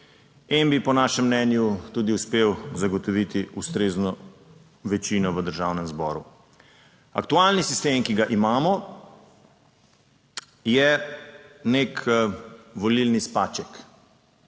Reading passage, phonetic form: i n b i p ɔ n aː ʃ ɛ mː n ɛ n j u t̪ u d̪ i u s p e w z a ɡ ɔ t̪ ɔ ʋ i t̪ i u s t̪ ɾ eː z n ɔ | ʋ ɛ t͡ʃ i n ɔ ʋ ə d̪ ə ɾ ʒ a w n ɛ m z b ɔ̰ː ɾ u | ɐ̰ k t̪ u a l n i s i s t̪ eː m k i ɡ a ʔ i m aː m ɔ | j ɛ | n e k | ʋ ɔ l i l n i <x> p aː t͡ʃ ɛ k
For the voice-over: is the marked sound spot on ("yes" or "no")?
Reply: no